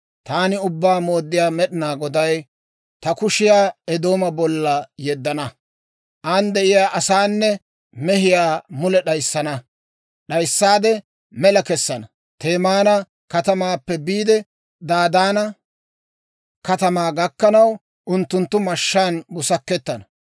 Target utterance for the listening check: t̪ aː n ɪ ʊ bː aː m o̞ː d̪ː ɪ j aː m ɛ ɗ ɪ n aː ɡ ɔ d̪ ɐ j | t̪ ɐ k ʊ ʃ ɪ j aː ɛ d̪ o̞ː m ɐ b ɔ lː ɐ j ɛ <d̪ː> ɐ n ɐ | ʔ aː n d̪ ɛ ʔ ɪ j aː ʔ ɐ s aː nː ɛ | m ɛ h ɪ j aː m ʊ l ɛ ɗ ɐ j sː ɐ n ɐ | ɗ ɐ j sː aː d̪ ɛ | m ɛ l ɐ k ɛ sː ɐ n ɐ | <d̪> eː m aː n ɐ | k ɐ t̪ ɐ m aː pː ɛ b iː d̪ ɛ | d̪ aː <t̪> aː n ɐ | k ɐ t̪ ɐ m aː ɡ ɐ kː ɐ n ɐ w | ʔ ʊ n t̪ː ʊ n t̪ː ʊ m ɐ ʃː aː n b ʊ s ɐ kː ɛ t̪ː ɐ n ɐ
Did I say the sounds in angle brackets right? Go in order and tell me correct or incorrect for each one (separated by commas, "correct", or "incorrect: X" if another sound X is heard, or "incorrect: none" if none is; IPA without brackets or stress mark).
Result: correct, incorrect: t̪, incorrect: d̪